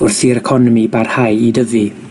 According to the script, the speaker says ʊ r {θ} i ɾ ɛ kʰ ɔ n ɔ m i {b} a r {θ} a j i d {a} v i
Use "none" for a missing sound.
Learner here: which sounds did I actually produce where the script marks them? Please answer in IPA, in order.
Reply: θ, b, h, ə

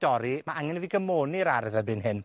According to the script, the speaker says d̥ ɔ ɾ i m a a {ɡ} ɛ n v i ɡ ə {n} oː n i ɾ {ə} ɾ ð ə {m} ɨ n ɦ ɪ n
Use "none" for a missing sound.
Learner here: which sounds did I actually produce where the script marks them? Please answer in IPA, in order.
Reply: ŋ, m, a, b

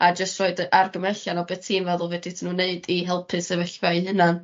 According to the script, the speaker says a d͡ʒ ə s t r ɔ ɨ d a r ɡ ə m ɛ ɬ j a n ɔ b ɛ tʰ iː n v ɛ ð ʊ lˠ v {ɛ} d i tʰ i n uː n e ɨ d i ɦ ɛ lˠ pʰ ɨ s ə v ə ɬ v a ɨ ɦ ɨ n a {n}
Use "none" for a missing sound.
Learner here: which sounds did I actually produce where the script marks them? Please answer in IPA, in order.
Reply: ɛ, n

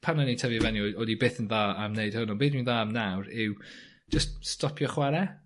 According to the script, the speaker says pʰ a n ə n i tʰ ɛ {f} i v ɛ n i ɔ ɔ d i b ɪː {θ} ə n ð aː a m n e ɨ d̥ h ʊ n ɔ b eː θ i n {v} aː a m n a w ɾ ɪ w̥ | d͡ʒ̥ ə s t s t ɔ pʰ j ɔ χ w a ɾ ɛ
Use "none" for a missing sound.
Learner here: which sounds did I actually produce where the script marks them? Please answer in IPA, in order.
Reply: v, θ, ð

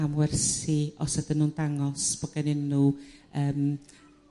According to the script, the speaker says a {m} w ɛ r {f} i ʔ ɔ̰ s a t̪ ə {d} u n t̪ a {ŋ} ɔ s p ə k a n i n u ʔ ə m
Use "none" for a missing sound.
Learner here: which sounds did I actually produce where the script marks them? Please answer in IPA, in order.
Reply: m, s, n, ŋ

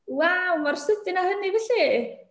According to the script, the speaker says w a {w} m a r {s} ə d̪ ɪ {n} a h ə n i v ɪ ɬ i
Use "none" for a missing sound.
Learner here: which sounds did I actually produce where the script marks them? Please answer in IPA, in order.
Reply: w, s, n

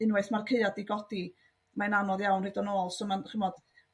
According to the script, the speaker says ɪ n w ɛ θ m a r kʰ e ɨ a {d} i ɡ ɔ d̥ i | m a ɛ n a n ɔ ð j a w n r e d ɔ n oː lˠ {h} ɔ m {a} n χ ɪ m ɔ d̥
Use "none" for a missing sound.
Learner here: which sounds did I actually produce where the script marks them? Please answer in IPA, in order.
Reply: d, s, a

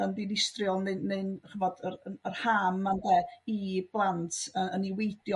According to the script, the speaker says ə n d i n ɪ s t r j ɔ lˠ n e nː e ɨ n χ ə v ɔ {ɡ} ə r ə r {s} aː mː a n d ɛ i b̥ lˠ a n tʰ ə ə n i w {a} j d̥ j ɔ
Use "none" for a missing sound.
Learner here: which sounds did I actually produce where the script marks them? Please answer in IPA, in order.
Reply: d, h, e

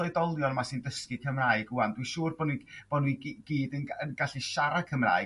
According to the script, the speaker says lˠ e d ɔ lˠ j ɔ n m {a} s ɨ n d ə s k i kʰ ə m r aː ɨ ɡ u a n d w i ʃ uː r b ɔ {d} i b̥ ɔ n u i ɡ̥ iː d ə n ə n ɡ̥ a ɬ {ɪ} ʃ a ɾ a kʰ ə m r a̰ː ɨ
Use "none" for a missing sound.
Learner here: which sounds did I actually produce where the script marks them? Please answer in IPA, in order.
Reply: a, n, i

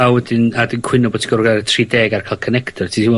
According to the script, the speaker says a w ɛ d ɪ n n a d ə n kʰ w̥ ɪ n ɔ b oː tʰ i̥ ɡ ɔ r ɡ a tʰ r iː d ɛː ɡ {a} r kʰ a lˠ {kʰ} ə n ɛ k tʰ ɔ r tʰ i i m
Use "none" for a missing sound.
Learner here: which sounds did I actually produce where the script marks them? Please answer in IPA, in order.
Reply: a, kʰ

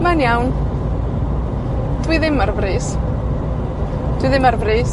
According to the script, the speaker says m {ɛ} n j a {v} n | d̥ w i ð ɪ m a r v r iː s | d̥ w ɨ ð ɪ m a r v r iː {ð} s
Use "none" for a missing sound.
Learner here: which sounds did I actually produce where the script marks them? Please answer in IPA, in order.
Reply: a, w, none

